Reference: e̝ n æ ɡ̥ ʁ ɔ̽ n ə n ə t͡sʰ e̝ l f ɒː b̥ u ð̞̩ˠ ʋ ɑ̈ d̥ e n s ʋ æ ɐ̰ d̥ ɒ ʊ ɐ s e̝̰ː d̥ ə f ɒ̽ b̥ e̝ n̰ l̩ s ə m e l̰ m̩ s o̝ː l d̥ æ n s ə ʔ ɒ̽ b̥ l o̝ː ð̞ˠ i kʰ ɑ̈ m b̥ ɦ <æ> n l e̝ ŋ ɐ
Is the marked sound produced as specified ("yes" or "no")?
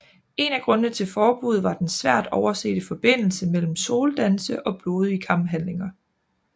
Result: yes